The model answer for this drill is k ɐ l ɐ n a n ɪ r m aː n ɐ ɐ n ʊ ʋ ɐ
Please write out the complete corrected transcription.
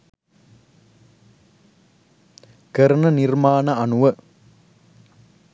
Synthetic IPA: k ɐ ɾ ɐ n ɐ n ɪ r m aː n ɐ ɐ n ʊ ʋ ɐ